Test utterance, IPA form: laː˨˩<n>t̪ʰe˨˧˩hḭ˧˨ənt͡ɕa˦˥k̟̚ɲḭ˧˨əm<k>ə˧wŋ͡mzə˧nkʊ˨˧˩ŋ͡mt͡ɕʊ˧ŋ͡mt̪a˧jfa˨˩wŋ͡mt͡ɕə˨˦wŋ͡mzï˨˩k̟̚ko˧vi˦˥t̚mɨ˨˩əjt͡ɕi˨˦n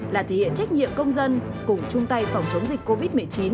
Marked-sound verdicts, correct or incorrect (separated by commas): incorrect, correct